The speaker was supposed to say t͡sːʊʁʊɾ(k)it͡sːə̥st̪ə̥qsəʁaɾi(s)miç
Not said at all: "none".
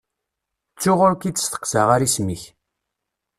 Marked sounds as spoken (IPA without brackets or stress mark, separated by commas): k, s